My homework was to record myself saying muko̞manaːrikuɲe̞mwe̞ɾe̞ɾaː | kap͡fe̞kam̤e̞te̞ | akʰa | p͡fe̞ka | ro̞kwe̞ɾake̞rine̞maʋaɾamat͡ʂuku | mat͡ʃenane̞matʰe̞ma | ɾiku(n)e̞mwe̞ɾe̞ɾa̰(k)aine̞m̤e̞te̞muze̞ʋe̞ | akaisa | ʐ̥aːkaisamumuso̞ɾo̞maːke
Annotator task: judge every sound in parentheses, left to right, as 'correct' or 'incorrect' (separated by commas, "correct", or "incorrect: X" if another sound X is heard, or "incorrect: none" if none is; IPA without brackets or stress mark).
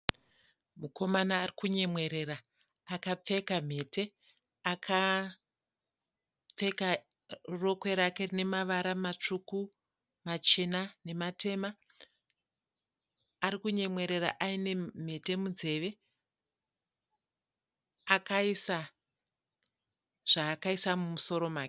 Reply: incorrect: ɲ, incorrect: ʔ